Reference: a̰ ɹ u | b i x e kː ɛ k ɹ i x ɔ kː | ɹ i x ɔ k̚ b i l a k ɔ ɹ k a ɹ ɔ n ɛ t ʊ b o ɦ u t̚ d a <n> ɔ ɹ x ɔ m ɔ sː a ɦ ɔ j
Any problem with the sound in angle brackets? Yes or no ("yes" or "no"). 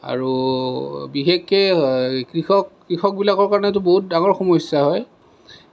yes